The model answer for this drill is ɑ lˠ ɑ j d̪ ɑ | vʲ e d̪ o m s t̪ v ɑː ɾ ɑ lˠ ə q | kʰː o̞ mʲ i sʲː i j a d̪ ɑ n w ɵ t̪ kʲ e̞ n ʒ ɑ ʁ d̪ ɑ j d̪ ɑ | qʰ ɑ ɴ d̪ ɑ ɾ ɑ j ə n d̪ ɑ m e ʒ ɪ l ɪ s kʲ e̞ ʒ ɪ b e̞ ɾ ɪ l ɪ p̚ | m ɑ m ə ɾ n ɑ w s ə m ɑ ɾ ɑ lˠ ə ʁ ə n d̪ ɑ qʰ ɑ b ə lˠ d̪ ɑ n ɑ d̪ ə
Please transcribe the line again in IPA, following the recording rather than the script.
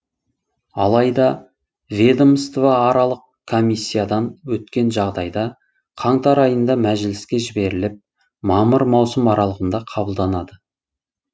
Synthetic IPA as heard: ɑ lˠ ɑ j d̪ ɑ | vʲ e d̪ o m s t̪ v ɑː ɾ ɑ lˠ ə q | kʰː o̞ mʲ i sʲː i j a d̪ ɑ n w ɵ t̪ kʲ e̞ n ʒ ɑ ʁ d̪ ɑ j d̪ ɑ | qʰ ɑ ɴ t̪ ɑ ɾ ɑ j ə n d̪ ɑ m æ ʒ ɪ l ɪ s kʲ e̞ ʒ ɪ b e̞ ɾ ɪ l ɪ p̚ | m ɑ m ə ɾ m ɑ w s ə m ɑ ɾ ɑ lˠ ə ʁ ə n d̪ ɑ qʰ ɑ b ə lˠ d̪ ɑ n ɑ d̪ ə